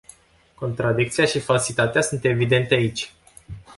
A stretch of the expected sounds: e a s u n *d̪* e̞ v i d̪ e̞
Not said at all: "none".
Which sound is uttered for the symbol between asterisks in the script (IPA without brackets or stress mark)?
t̪